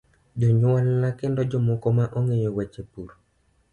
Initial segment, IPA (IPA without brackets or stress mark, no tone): d͡ʒ